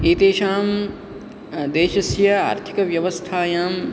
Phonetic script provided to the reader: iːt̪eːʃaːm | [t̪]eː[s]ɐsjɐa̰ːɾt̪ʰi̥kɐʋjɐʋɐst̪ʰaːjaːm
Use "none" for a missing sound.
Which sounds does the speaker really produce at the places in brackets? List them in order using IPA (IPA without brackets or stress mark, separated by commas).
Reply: d̪, ʃ